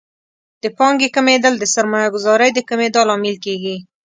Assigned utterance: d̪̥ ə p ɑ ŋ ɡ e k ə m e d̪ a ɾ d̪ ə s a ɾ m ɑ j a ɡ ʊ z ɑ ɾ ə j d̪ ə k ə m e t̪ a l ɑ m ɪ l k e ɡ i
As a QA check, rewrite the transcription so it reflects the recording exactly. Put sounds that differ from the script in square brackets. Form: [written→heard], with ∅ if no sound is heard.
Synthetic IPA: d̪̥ ə p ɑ ŋ ɡ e k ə m e d̪ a [ɾ→l] d̪ ə s a ɾ m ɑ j a ɡ ʊ z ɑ ɾ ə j d̪ ə k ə m e [t̪→d̪] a l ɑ m ɪ l k e ɡ i